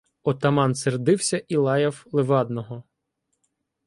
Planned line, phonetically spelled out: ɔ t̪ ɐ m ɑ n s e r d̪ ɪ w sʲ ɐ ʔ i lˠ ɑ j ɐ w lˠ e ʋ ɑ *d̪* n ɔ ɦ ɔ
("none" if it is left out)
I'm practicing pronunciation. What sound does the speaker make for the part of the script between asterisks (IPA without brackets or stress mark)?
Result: d̪